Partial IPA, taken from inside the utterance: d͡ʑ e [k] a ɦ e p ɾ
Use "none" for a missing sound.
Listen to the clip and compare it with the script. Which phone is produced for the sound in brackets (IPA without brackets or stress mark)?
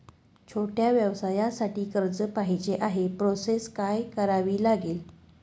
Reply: ʔ